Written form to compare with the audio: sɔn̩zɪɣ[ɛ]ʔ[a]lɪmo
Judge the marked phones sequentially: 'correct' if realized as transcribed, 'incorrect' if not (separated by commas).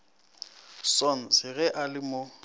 correct, correct